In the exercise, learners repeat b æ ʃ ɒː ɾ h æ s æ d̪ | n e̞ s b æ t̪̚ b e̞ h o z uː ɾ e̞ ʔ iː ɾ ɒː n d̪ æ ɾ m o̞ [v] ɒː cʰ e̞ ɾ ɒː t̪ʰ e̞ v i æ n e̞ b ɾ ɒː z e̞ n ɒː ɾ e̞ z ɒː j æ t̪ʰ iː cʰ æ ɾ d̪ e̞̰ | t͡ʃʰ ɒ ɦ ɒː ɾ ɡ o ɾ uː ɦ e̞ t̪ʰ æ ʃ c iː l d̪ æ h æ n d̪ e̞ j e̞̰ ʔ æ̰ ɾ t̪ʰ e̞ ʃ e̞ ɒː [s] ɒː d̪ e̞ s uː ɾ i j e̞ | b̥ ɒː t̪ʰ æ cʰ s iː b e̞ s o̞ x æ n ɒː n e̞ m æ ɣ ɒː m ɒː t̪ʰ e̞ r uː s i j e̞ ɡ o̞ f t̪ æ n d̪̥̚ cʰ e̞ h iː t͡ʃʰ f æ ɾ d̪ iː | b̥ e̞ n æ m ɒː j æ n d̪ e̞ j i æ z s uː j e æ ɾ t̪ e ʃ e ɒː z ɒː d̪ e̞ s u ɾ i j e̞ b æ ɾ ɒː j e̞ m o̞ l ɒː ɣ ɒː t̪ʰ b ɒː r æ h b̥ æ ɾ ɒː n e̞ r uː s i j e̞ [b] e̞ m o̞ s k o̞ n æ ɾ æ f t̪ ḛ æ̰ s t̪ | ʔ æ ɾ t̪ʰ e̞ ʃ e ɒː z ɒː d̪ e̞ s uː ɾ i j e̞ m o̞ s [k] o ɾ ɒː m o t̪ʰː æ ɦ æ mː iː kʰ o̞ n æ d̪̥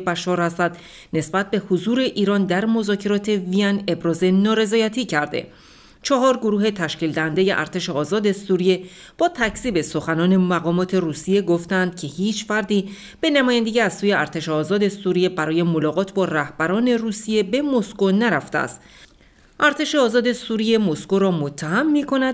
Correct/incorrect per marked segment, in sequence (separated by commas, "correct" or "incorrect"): incorrect, incorrect, correct, correct